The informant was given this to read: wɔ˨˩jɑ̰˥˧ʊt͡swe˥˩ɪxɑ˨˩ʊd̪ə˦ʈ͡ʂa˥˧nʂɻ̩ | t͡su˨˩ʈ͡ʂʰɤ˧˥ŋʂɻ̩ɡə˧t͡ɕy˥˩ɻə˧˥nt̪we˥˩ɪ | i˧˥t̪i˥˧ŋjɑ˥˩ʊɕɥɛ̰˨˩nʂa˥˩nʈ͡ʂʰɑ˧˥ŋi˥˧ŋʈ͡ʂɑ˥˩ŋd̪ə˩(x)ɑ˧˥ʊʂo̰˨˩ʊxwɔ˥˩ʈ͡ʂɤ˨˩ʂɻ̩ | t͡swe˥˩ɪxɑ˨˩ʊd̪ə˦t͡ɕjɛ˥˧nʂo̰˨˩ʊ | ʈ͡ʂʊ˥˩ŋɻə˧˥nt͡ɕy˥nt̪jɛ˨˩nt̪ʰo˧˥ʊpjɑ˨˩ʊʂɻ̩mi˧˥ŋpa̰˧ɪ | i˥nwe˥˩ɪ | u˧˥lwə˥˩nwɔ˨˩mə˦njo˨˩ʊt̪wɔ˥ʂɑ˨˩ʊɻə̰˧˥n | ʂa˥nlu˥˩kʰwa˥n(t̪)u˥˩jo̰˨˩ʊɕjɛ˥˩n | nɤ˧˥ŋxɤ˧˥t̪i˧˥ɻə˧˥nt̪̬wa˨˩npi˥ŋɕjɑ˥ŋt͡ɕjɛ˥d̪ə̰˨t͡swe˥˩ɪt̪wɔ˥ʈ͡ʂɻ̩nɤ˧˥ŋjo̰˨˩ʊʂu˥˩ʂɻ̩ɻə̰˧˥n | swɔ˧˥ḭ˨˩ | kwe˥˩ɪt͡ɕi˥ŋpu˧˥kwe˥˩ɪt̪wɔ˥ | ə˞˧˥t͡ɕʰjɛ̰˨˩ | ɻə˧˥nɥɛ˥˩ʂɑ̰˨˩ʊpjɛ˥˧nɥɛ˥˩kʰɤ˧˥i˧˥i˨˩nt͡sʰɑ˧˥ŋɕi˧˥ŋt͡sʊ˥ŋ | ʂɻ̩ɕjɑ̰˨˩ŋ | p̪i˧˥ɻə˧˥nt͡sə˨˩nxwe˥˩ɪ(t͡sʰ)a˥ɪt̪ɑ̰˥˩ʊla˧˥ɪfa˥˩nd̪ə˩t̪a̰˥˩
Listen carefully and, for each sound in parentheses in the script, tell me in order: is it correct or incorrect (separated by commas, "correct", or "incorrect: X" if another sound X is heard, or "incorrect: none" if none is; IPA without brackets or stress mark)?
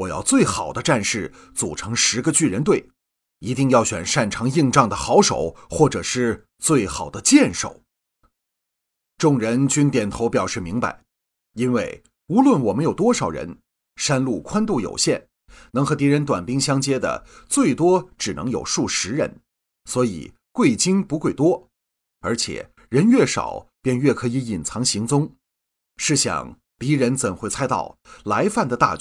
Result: correct, correct, correct